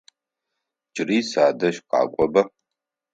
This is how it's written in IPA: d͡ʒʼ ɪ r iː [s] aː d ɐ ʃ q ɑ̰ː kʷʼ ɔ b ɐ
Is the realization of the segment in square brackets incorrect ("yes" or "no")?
no